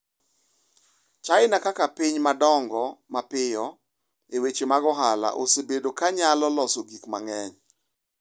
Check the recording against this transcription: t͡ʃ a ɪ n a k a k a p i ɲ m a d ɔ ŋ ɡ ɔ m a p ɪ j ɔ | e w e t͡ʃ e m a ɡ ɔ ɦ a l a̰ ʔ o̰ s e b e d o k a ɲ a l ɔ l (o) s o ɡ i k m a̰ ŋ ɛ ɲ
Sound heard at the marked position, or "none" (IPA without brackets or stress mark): ɔ